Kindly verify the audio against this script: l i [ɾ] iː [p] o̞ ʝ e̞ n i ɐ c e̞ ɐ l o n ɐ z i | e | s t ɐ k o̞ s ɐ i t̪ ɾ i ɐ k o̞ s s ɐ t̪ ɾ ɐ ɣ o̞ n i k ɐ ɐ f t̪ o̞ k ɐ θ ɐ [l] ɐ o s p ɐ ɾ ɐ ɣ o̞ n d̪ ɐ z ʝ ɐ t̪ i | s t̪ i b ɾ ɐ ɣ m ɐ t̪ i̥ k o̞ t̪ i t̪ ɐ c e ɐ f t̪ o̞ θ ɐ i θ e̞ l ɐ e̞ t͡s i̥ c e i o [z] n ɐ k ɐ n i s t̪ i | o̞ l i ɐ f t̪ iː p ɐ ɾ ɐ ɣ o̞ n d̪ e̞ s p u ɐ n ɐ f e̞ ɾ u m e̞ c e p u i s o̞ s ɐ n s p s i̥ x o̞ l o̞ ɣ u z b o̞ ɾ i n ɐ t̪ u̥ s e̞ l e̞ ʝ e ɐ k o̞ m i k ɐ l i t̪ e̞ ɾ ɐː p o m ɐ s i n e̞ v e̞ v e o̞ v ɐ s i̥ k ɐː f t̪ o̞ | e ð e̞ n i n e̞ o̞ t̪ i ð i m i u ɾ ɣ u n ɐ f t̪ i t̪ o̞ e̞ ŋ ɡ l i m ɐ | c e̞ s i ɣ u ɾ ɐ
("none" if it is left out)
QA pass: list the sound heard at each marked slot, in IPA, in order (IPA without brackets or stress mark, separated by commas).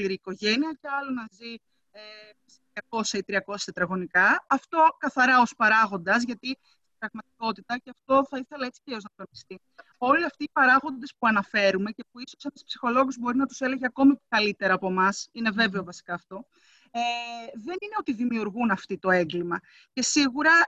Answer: ɾ, k, ɾ, z